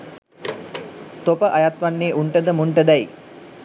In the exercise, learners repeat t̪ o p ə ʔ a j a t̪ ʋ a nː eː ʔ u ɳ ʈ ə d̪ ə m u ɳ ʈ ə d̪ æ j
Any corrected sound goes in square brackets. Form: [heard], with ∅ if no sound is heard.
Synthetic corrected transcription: t̪ o p ə ʔ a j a t̪ ʋ a nː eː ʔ u ɳ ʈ ə d̪ ə m u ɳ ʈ ə d̪ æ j

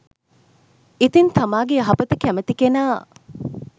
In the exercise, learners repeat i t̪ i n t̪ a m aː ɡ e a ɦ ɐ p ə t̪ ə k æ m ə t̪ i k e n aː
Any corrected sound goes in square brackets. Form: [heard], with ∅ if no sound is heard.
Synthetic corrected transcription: i t̪ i n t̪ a m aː ɡ e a ɦ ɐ p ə t̪ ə k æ m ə t̪ i k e n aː

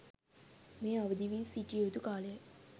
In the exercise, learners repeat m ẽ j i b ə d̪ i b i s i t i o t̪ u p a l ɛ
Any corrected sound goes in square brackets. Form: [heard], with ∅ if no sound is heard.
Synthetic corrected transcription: m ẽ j [a] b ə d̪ i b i s i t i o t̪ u [k] a l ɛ

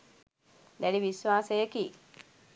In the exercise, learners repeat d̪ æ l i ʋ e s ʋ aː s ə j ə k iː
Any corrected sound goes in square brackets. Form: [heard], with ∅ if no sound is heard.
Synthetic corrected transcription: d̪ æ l i ʋ [i] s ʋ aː s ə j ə k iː

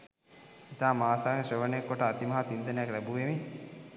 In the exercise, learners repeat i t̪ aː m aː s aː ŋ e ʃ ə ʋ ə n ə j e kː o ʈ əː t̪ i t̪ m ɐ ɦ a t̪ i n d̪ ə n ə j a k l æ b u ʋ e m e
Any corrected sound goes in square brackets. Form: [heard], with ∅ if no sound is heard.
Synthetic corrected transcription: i t̪ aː m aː s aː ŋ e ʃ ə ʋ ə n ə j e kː o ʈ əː t̪ i [∅] m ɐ ɦ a t̪ i n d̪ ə n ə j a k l æ b u ʋ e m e

